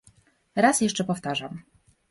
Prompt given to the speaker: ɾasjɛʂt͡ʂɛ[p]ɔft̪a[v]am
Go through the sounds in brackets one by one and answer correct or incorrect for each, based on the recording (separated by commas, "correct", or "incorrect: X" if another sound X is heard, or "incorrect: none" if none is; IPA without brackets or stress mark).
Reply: correct, incorrect: ʐ